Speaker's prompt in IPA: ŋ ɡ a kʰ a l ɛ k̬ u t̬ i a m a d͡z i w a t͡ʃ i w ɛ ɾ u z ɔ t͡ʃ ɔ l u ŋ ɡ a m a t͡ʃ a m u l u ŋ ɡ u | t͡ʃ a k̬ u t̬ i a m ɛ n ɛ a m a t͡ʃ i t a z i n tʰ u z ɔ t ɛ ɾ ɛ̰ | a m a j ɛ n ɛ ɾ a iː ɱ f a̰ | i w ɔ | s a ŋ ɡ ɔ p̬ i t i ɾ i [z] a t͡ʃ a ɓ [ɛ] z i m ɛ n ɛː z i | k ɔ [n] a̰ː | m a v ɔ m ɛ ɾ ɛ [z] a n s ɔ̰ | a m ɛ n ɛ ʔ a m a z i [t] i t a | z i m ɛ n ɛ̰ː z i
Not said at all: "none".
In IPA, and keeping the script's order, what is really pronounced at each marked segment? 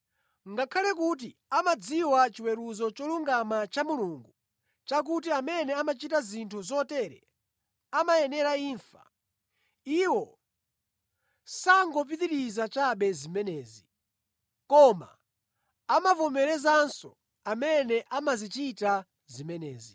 z, ɛ, m, z, t͡ʃ

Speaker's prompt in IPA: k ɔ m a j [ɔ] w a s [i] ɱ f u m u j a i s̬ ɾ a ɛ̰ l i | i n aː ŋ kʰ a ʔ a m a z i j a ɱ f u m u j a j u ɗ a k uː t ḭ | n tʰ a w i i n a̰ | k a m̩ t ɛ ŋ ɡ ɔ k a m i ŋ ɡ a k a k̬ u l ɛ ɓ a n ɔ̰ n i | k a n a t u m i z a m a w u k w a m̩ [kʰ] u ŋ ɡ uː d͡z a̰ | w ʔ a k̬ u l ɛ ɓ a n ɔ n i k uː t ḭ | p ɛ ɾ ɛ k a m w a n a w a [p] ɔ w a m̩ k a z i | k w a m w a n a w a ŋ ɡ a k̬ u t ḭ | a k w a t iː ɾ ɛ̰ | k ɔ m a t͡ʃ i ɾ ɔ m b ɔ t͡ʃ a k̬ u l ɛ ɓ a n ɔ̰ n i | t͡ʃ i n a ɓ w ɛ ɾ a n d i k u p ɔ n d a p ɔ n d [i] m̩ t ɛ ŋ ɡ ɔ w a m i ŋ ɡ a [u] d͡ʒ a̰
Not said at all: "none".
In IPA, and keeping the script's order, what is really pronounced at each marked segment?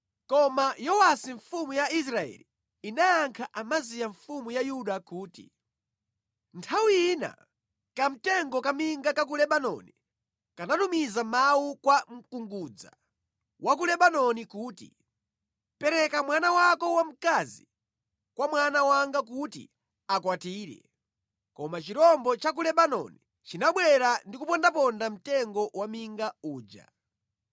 ɔ, i, k, k, a, uː

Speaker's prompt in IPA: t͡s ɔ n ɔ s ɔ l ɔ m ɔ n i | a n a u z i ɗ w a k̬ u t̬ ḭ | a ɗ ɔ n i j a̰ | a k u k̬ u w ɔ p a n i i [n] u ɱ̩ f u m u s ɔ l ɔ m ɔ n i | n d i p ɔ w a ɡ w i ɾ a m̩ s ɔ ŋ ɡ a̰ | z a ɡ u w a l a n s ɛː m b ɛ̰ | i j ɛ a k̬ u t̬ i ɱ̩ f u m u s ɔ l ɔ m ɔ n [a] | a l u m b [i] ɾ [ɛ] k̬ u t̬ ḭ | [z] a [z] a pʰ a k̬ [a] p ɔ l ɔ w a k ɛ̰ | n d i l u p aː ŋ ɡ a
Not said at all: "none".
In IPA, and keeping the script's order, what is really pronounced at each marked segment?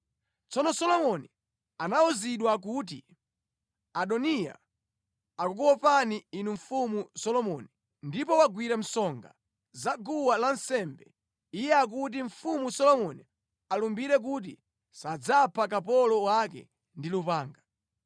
n, i, i, ɛ, s, d͡z, a

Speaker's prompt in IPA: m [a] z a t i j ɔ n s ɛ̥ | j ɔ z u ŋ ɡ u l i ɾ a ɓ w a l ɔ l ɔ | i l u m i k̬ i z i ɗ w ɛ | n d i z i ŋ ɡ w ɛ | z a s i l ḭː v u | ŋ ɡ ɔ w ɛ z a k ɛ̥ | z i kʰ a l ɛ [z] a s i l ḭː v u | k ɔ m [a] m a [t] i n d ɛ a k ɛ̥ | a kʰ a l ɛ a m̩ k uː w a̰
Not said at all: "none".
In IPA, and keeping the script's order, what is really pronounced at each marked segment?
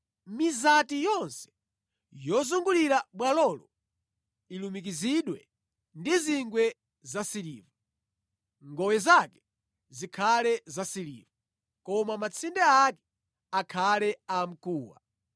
i, z, a, t͡sʰ

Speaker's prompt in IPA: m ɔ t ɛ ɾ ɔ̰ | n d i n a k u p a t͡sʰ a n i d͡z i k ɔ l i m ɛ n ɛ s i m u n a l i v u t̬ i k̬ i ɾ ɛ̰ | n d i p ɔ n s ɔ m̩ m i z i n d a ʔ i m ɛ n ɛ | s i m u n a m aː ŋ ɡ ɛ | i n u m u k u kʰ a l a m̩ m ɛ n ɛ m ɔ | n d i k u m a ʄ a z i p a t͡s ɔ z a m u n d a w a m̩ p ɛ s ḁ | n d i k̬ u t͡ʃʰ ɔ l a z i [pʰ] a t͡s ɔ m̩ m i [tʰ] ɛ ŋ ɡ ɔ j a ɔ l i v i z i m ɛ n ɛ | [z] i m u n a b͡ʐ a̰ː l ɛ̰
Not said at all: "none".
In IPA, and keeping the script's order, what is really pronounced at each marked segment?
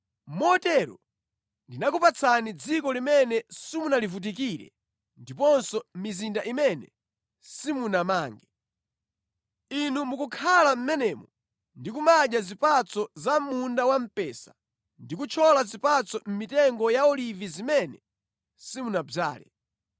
p, t, s

